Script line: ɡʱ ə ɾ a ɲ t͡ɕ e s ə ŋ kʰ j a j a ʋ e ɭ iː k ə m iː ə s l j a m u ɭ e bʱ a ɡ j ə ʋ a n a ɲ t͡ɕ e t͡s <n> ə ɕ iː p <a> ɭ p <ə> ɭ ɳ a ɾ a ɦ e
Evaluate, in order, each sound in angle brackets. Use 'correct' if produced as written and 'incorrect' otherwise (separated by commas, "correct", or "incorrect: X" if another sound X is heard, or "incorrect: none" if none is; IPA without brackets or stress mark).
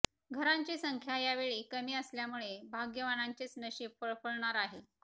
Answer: correct, incorrect: ə, correct